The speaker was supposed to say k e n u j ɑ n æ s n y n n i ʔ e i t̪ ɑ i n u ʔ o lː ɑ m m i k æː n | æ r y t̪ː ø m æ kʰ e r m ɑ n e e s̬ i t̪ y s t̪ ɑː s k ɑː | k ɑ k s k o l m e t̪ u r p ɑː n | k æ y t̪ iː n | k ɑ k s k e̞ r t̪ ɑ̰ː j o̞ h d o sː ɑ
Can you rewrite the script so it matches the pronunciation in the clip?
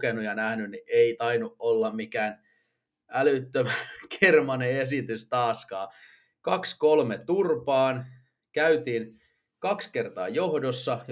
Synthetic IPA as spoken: k e n u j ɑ n æ h n y n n i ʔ e i t̪ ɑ i n u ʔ o lː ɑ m m i k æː n | æ l y t̪ː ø m æ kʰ e r m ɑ n e e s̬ i t̪ y s t̪ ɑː s k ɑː | k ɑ k s k o l m e t̪ u r p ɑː n | k æ y t̪ iː n | k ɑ k s k e̞ r t̪ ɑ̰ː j o̞ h d o sː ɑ